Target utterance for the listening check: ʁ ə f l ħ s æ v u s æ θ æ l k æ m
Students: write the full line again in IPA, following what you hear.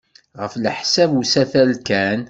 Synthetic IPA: ʁ ə f l ħ s æ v u s æ θ æ l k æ n